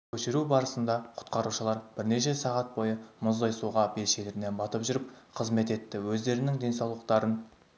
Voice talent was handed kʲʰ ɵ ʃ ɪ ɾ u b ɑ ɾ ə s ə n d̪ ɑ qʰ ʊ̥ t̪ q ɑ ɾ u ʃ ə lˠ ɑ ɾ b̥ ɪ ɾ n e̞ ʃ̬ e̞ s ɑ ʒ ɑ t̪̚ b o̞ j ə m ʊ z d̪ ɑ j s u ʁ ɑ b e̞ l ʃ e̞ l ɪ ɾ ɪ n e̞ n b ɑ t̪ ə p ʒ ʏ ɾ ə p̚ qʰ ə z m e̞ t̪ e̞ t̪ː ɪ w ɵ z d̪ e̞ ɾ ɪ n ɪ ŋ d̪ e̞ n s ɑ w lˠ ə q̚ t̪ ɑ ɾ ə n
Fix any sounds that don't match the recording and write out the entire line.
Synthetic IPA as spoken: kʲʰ ɵ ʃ ɪ ɾ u b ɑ ɾ ə s ə n d̪ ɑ qʰ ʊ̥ t̪ q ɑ ɾ u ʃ ə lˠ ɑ ɾ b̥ ɪ ɾ n e̞ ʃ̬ e̞ s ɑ ʁ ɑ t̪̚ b o̞ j ə m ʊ z d̪ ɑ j s u ʁ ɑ b e̞ l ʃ e̞ l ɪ ɾ ɪ n e̞ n b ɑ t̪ ə p ʒ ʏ ɾ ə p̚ qʰ ə z m e̞ t̪ e̞ t̪ː ɪ w ɵ z d̪ e̞ ɾ ɪ n ɪ ŋ d̪ e̞ n s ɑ w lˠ ə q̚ t̪ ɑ ɾ ə n